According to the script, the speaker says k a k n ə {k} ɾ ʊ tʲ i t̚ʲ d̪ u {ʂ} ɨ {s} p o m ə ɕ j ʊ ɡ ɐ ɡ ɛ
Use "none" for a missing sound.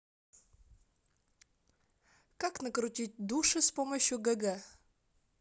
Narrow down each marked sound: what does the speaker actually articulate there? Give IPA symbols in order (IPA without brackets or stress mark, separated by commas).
k, ʂ, s